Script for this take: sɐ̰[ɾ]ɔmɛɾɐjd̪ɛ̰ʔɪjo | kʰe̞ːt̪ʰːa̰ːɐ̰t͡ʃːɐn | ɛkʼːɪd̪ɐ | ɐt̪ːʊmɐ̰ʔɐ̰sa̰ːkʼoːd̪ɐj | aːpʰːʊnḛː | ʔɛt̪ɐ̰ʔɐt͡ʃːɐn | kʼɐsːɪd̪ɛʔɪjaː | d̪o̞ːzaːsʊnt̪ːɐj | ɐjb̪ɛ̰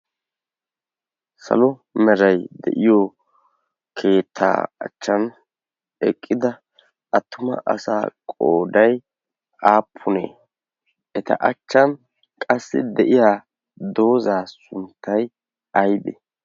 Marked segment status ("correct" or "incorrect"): incorrect